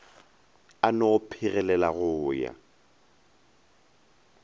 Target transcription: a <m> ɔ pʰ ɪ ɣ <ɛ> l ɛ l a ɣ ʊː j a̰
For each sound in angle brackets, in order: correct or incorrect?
incorrect: n, correct

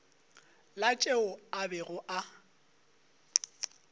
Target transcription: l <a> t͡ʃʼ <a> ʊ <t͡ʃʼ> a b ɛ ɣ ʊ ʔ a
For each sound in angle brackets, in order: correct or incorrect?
correct, incorrect: e, incorrect: none

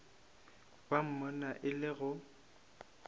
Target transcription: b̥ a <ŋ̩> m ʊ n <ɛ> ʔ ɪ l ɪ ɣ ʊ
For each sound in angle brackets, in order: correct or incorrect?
incorrect: m̩, incorrect: a

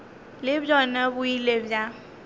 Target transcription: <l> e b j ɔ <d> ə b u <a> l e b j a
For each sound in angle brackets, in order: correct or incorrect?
correct, incorrect: n, incorrect: i

